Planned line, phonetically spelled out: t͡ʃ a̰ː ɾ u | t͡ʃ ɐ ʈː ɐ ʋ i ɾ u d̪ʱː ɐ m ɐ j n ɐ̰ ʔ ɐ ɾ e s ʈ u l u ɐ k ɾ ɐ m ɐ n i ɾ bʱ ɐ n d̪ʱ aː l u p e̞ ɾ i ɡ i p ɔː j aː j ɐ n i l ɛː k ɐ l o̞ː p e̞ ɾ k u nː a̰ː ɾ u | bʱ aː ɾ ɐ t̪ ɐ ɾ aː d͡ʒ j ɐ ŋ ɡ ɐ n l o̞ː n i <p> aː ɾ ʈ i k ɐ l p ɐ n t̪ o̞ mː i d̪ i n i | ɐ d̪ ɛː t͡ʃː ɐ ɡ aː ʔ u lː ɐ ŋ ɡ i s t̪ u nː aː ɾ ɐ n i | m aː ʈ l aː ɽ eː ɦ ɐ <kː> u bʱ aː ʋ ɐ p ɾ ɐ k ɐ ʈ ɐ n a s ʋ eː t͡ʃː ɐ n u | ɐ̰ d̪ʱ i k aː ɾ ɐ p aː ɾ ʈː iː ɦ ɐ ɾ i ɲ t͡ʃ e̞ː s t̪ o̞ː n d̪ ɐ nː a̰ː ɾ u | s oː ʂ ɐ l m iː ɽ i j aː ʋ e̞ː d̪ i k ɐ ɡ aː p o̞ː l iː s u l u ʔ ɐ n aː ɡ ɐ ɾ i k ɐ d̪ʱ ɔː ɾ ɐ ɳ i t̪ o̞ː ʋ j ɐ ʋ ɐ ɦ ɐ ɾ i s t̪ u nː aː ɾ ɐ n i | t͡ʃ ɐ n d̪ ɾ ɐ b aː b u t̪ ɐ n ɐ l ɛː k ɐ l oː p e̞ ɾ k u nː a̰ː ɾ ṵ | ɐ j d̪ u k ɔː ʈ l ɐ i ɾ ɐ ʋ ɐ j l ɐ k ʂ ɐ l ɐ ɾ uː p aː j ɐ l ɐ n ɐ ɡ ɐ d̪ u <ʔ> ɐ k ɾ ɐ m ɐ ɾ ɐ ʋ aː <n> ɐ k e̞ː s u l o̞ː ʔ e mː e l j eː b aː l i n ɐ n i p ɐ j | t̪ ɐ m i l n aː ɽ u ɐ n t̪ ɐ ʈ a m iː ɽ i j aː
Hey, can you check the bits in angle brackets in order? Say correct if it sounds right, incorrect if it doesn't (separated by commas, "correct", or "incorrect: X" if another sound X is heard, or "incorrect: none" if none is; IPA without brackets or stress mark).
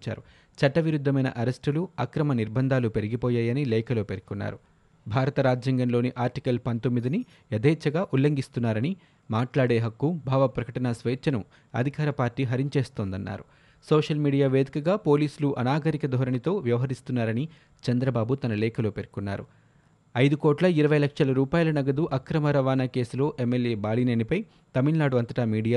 incorrect: ʔ, correct, correct, correct